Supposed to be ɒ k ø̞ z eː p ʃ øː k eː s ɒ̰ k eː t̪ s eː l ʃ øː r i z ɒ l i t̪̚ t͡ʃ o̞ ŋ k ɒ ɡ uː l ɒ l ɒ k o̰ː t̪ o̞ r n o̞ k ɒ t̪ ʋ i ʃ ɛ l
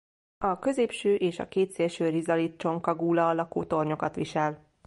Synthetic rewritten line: ɒ k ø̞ z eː p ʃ øː ʔ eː ʃ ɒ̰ k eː t̪ s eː l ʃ øː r i z ɒ l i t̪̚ t͡ʃ o̞ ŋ k ɒ ɡ uː l ɒ l ɒ k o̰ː t̪ o̞ r ɲ o̞ k ɒ t̪ ʋ i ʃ ɛ l